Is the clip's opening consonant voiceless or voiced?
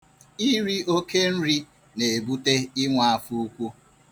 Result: voiced